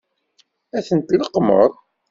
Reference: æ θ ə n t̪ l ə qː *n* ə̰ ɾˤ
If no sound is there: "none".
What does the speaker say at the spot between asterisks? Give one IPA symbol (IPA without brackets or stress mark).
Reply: m